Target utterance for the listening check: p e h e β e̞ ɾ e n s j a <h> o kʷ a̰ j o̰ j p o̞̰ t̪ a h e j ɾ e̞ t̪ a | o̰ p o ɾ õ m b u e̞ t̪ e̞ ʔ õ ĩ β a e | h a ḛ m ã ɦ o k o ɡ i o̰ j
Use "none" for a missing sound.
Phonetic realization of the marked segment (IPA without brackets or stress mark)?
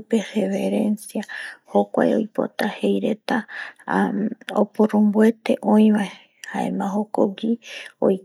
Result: h